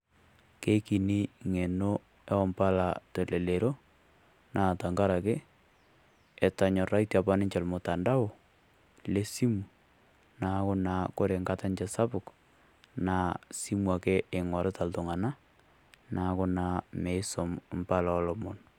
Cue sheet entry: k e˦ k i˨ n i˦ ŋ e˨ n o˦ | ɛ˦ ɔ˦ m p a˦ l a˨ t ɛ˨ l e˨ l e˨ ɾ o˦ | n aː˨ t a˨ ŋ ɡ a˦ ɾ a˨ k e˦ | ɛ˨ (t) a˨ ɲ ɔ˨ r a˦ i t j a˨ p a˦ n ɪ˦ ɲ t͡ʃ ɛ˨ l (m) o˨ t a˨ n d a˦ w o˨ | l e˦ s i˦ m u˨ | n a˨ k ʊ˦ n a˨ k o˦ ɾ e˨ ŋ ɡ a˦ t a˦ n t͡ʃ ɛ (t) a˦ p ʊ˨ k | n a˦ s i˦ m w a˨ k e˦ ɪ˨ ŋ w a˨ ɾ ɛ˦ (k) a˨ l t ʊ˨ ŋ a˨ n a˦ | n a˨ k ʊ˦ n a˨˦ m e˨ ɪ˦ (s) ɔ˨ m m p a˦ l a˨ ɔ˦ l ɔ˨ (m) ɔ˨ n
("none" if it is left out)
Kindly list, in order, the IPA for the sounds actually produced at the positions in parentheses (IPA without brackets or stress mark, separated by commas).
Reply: t, m, s, t, s, m